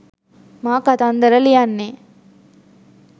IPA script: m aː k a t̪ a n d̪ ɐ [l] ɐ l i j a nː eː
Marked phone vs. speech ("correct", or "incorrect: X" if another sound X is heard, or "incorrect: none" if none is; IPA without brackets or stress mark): incorrect: ɾ